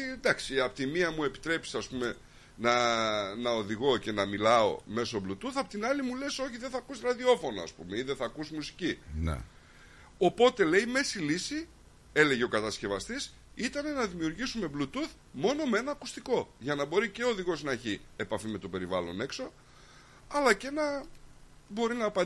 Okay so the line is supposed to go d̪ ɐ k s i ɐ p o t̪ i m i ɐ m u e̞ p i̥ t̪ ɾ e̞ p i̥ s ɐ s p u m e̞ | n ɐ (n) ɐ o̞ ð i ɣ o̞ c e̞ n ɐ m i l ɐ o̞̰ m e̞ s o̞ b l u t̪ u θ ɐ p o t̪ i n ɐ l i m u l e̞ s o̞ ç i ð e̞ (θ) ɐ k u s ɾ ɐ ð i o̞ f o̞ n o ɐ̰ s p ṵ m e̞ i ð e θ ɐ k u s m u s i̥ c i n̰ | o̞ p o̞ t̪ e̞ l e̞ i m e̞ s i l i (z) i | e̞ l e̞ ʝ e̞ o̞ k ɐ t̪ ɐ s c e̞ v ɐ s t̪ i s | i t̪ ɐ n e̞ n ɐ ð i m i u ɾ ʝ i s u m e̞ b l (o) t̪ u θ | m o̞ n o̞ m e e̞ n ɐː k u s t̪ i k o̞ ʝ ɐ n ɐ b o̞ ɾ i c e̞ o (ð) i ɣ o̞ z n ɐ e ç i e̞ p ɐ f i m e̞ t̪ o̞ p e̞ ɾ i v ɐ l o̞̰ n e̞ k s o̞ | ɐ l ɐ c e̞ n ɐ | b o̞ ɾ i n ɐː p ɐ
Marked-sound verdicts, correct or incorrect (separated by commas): correct, correct, incorrect, incorrect, correct